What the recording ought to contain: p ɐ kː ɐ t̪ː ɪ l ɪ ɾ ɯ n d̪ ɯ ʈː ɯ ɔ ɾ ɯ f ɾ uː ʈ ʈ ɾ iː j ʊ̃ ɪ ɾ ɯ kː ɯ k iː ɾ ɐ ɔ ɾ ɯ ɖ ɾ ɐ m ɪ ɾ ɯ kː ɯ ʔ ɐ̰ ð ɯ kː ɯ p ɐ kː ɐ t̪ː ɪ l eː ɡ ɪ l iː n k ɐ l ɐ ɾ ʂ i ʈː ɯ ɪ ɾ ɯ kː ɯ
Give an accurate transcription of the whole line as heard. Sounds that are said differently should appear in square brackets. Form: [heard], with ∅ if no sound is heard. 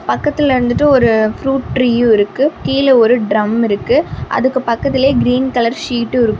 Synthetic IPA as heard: p ɐ kː ɐ t̪ː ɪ l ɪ ɾ ɯ n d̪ ɯ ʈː ɯ ɔ ɾ ɯ f ɾ uː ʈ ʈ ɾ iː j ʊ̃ ɪ ɾ ɯ kː ɯ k iː [l] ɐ ɔ ɾ ɯ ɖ ɾ ɐ m ɪ ɾ ɯ kː ɯ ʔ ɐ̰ ð ɯ kː ɯ p ɐ kː ɐ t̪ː ɪ l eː ɡ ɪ [ɾ] iː n k ɐ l ɐ ɾ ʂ [iː] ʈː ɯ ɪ ɾ ɯ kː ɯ